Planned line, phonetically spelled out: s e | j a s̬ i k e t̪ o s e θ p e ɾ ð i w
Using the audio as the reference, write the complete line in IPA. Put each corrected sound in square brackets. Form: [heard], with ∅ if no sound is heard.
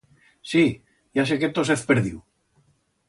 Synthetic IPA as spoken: s [i] | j a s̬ [e] k e t̪ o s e θ p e ɾ ð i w